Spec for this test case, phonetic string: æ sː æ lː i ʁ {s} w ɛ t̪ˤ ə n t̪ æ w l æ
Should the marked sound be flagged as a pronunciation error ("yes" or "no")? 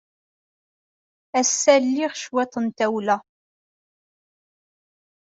yes